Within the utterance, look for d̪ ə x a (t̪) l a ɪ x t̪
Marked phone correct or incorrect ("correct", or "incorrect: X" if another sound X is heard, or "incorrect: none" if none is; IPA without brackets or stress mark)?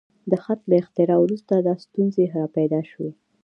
correct